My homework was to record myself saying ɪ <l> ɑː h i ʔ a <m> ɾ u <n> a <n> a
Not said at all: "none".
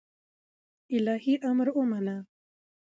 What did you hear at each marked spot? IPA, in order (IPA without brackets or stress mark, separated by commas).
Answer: l, m, m, n